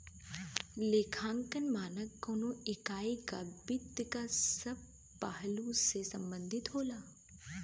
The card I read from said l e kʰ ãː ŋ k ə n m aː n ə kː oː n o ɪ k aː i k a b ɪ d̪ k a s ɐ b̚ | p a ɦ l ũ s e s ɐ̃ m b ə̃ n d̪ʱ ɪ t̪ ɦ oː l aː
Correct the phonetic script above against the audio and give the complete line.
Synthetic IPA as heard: l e kʰ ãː ŋ k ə n m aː n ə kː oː n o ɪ k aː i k a b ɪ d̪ k a s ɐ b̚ | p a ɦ l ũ s e s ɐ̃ m b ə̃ n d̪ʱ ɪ t̪ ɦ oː l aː